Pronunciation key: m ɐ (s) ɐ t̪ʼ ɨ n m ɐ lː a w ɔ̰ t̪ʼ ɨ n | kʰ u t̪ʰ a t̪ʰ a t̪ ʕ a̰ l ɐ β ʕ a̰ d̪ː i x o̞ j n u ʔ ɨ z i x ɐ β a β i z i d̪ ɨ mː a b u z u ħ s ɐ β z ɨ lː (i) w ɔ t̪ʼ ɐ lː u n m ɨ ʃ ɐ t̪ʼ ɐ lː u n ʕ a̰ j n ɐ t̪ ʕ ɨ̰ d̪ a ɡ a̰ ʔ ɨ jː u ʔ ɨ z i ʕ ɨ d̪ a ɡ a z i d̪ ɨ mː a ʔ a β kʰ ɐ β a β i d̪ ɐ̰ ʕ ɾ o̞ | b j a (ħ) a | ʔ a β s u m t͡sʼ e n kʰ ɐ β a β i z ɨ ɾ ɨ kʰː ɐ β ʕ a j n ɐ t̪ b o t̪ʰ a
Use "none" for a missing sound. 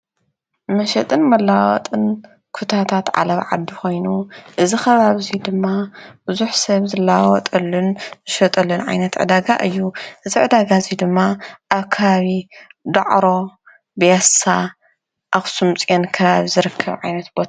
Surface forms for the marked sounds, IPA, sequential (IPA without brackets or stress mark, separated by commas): ʃ, a, s